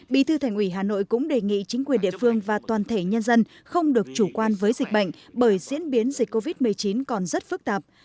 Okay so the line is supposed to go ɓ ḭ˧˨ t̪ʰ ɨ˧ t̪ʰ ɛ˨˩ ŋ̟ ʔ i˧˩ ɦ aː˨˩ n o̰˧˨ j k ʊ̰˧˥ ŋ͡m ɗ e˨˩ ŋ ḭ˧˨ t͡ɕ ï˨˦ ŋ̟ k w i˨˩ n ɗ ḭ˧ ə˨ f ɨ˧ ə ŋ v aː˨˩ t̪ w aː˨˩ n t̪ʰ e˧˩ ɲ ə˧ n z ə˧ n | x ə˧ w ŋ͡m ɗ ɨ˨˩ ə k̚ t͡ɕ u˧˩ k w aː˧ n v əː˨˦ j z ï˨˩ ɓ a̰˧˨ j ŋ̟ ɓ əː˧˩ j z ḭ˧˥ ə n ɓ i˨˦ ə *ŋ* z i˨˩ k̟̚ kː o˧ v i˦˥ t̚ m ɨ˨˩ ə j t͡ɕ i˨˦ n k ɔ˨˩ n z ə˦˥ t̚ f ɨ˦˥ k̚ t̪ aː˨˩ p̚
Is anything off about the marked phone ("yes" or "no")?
yes